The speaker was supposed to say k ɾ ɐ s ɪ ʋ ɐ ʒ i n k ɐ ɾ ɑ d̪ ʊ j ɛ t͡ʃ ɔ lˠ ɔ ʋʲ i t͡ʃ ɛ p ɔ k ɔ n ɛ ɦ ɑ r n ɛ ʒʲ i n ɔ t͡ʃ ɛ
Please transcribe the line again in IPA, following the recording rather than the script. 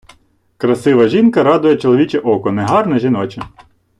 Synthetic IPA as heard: k ɾ ɐ s ɪ ʋ ɐ ʒ i n k ɐ ɾ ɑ d̪ ʊ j ɛ t͡ʃ ɔ lˠ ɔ ʋʲ i t͡ʃ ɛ ʔ ɔ k ɔ n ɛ ɦ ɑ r n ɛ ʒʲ i n ɔ t͡ʃ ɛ